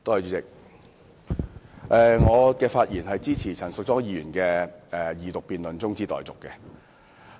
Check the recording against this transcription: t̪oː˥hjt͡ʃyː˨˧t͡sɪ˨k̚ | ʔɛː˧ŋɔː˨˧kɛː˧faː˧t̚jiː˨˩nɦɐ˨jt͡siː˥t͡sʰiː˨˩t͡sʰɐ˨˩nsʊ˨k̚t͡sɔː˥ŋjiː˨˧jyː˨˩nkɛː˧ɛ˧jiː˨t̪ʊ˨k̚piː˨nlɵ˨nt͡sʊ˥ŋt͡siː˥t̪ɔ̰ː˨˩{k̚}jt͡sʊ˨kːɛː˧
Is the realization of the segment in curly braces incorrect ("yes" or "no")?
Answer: yes